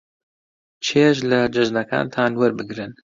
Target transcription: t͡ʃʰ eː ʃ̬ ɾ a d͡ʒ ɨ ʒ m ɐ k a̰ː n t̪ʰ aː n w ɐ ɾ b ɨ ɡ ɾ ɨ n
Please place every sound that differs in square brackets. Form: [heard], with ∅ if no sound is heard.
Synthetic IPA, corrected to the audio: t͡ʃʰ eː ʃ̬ [l] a d͡ʒ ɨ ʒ [n] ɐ k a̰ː n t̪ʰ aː n w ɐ ɾ b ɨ ɡ ɾ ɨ n